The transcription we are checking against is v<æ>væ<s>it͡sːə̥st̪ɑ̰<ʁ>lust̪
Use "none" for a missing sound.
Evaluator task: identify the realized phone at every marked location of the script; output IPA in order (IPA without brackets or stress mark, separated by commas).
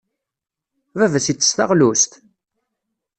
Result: æ, s, ʁ